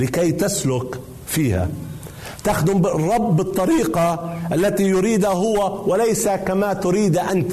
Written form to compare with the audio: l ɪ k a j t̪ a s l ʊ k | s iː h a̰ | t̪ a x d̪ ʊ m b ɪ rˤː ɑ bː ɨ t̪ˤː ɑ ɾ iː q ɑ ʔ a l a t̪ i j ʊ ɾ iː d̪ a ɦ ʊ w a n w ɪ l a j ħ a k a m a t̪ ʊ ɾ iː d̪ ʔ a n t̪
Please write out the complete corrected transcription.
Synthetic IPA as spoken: l ɪ k a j t̪ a s l ʊ k | f iː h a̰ | t̪ a x d̪ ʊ m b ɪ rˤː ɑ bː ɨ t̪ˤː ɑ ɾ iː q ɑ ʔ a lː a t̪ i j ʊ ɾ iː d̪ a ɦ ʊ w a w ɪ l a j s a k a m a t̪ ʊ ɾ iː d̪ ʔ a n t̪